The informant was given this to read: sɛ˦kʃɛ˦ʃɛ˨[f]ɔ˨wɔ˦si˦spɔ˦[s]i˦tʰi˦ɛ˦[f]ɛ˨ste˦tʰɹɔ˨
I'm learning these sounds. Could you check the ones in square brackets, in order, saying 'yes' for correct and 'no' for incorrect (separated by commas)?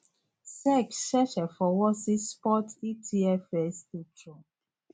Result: yes, no, yes